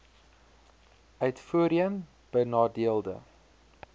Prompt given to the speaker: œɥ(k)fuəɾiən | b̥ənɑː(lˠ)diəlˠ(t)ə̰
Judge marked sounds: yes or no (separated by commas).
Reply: no, no, no